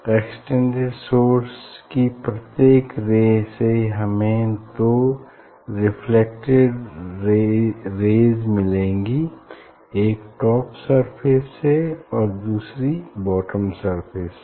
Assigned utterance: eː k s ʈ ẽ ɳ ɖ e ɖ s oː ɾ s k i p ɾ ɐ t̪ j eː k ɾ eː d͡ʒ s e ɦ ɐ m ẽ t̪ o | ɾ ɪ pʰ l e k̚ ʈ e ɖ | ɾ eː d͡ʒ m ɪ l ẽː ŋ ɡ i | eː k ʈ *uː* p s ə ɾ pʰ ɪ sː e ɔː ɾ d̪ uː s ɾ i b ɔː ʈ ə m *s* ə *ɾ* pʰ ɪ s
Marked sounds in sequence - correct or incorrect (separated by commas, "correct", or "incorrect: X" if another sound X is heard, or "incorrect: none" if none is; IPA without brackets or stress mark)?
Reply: incorrect: ɔː, correct, correct